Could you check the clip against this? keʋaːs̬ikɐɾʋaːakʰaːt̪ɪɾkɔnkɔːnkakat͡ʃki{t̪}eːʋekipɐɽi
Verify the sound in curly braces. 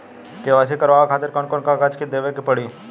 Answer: incorrect: d̪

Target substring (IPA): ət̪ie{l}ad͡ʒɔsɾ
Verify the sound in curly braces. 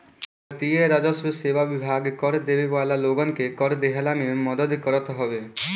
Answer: incorrect: ɾ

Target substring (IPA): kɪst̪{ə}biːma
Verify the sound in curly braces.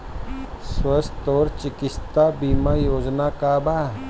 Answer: incorrect: a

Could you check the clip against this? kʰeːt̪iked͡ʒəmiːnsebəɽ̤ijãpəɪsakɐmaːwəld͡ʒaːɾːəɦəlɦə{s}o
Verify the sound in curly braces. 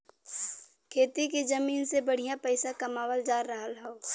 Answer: incorrect: none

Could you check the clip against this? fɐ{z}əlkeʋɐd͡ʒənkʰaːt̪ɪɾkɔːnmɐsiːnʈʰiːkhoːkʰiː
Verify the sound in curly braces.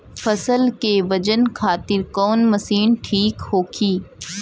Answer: incorrect: s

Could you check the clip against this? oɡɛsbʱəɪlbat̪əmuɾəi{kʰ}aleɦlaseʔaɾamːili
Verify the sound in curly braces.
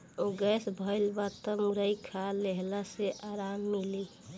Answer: correct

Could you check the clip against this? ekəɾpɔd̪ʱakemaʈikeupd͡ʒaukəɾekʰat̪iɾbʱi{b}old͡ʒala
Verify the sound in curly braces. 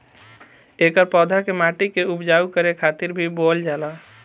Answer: correct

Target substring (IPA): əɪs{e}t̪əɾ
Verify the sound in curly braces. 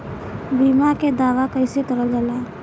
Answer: correct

